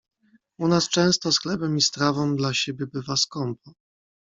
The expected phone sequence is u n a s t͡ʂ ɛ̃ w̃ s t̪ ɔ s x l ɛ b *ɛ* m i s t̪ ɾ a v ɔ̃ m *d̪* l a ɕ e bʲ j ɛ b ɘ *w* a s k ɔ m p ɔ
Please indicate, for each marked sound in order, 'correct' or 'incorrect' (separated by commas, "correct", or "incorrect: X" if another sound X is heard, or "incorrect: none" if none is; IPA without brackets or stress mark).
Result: correct, correct, incorrect: v